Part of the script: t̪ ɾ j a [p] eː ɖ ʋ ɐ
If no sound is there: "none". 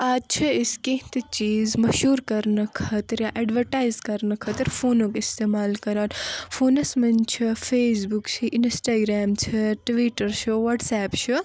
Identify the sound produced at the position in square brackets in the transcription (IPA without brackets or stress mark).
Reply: ʔ